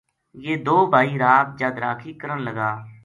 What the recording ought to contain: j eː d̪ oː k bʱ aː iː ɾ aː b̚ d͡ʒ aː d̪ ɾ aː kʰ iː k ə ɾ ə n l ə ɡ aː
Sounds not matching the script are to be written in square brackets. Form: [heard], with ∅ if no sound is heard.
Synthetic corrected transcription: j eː d̪ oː [∅] bʱ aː iː ɾ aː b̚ d͡ʒ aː d̪ ɾ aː kʰ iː k ə ɾ ə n l ə ɡ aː